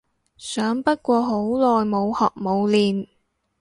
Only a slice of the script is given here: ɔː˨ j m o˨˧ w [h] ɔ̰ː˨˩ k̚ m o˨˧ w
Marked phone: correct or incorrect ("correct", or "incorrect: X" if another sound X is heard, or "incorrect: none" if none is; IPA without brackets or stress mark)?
correct